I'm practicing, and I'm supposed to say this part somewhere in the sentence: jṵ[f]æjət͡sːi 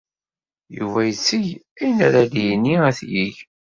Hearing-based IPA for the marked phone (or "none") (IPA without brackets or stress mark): v